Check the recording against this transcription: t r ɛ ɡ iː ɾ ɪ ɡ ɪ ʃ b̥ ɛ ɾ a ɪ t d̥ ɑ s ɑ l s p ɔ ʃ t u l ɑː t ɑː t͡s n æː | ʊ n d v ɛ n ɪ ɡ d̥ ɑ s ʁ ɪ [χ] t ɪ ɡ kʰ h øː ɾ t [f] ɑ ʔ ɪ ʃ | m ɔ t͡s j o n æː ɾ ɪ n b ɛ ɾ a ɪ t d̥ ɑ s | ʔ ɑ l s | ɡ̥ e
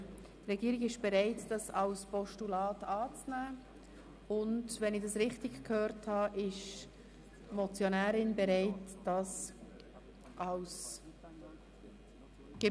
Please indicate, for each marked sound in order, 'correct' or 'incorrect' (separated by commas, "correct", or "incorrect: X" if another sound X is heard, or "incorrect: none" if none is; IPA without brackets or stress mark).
correct, incorrect: h